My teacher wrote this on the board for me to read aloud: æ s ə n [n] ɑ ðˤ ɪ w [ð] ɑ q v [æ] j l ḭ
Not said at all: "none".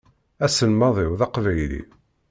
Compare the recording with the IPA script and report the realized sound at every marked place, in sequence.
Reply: m, ð, æ

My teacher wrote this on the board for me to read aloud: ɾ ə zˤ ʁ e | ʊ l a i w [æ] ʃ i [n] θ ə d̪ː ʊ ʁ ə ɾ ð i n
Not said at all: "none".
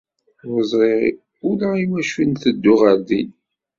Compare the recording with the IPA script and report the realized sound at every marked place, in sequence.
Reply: æ, n

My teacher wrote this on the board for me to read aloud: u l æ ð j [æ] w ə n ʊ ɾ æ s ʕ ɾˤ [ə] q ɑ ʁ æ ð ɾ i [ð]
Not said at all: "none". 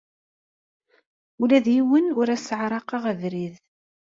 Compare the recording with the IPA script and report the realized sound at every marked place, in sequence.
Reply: i, ɑ, ð

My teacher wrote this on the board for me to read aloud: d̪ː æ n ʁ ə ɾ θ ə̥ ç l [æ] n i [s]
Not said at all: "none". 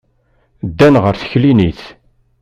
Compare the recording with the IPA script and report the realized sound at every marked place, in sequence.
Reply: i, θ

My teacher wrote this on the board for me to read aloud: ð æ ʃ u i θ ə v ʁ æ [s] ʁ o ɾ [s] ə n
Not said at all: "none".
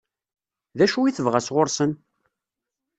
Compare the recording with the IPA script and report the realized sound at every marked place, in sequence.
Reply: s, s

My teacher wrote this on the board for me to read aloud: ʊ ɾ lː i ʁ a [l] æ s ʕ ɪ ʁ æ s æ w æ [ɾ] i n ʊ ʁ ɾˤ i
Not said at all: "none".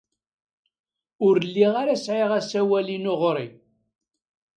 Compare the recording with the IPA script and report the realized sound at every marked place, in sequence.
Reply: ɾ, l

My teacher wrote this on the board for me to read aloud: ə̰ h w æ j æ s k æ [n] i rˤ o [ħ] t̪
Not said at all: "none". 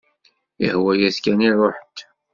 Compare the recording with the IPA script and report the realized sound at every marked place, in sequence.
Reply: n, ħ

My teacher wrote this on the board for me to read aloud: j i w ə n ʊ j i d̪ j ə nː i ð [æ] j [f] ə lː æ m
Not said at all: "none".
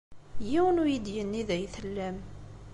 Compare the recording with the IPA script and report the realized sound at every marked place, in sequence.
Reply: æ, θ

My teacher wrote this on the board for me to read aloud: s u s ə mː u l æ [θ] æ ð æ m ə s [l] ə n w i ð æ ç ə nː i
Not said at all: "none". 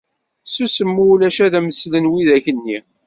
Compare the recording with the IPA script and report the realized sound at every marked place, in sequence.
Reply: ʃ, l

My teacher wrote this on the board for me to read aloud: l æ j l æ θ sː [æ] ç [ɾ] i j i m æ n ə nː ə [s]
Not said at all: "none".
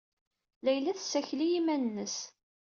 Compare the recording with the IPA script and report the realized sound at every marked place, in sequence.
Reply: æ, l, s

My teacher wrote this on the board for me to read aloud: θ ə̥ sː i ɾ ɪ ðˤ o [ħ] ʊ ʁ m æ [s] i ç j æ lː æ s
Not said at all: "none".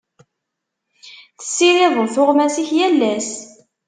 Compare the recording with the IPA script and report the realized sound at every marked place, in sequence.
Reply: θ, s

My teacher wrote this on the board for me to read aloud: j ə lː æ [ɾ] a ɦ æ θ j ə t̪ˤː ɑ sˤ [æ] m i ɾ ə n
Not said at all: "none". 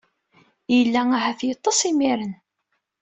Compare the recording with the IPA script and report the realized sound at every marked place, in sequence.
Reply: none, i

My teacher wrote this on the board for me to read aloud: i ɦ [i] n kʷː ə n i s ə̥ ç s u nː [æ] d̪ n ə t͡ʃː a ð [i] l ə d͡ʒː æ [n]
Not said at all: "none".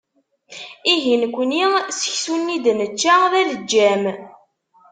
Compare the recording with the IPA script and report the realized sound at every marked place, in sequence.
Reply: i, i, æ, m

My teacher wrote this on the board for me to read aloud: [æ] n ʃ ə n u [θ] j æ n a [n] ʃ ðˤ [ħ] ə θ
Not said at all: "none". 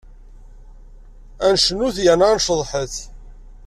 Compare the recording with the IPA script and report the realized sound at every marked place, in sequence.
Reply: æ, θ, n, ħ

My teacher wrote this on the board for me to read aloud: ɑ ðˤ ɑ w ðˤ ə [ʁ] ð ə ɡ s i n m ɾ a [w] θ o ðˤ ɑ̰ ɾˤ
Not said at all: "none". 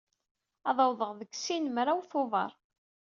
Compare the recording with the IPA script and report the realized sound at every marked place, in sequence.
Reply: ʁ, w

